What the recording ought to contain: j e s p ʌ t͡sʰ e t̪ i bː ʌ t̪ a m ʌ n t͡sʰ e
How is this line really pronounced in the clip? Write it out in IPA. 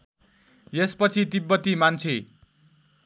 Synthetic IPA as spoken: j e s p ʌ t͡sʰ i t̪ i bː ʌ t̪ i m a n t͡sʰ e